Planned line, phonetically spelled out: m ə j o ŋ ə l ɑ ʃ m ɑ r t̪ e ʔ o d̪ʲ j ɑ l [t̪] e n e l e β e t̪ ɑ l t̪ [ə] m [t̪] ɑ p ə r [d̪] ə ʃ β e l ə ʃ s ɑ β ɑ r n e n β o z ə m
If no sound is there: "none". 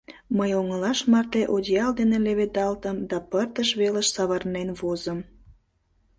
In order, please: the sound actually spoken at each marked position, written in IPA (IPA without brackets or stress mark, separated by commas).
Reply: d̪, ə, d̪, t̪